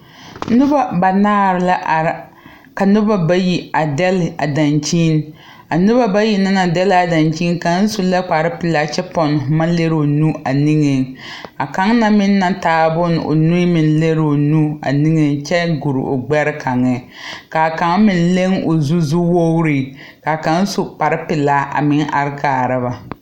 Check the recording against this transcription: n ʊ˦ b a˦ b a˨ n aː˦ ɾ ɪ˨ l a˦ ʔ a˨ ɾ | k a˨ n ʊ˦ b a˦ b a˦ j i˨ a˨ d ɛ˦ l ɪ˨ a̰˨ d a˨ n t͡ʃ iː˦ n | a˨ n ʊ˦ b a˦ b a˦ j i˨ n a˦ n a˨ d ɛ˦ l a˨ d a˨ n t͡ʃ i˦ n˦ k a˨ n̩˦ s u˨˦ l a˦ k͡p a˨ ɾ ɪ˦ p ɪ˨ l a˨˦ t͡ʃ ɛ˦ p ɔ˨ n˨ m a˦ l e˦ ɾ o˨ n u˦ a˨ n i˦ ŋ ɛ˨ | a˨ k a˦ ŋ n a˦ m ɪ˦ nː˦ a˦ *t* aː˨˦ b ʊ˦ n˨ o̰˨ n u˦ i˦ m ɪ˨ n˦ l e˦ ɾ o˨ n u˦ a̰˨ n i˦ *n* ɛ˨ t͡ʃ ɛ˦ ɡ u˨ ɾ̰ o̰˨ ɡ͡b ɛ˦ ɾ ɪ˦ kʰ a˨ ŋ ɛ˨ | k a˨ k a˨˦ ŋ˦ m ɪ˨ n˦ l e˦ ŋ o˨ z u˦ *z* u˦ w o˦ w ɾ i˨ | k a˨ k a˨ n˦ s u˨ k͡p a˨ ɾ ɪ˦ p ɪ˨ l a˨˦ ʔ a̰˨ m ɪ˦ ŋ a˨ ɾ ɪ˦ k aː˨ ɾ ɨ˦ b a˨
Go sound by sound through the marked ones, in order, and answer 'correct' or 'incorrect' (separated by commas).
correct, incorrect, correct